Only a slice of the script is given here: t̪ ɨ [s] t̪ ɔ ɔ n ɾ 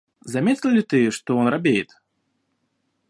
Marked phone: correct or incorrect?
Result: incorrect